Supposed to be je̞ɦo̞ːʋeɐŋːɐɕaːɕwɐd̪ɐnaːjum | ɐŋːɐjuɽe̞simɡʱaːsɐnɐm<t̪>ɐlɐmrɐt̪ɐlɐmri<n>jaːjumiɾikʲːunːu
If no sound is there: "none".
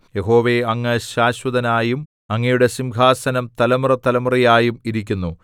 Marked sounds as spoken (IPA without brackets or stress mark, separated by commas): t̪, none